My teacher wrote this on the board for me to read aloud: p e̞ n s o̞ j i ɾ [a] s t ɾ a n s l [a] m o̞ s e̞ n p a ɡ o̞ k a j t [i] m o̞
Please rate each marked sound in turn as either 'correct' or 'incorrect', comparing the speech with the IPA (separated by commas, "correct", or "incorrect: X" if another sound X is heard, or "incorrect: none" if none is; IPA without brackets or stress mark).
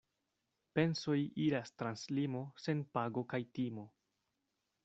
correct, incorrect: i, correct